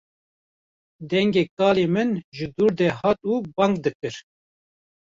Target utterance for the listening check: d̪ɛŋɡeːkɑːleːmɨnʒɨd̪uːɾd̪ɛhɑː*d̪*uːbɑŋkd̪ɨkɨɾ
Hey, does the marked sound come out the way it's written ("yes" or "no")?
no